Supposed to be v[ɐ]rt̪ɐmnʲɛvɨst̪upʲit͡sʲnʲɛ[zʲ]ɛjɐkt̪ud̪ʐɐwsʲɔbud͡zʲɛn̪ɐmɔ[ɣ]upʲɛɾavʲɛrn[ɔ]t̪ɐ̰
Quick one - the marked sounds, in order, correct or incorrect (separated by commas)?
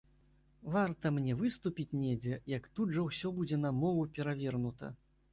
incorrect, incorrect, incorrect, incorrect